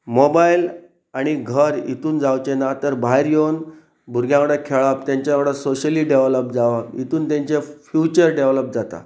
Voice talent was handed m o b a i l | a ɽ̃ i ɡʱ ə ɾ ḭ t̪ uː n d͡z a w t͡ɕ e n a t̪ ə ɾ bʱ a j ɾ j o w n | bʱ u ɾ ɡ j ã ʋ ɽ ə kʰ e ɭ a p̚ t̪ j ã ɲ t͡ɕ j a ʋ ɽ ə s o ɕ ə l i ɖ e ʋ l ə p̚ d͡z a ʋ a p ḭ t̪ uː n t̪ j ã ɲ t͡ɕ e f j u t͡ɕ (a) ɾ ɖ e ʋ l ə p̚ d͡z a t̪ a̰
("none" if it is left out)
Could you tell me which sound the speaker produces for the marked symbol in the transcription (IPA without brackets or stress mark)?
ə